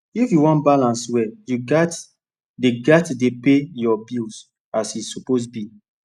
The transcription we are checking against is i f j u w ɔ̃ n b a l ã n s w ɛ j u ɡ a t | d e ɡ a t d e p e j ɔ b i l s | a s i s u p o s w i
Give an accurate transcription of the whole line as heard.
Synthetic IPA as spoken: i f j u w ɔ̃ n b a l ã n s w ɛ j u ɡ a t | d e ɡ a t d e p e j ɔ b i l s | a s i s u p o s b i